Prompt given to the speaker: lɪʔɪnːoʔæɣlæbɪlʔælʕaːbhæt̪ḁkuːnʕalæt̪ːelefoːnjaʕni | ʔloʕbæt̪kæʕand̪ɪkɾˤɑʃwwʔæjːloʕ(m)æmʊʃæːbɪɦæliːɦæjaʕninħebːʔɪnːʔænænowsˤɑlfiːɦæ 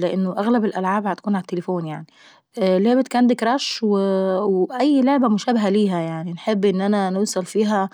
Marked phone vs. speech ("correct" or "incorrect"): incorrect